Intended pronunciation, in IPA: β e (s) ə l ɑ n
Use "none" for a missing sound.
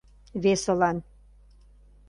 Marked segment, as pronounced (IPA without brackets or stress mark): s